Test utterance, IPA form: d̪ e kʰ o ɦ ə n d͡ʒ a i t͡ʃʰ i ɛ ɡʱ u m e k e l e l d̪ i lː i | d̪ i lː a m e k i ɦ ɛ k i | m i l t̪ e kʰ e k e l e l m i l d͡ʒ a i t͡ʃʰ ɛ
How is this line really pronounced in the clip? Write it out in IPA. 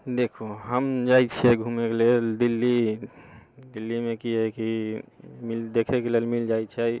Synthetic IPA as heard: d̪ e kʰ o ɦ ə m d͡ʒ a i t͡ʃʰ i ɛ ɡʱ u m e k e l e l d̪ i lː i | d̪ i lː i m e k i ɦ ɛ k i | m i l d̪ e kʰ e k e l e l m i l d͡ʒ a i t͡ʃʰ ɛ